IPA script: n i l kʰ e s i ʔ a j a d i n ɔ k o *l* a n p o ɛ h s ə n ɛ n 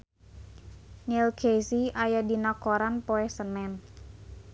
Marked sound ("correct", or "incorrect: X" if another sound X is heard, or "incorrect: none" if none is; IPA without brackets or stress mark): incorrect: ɾ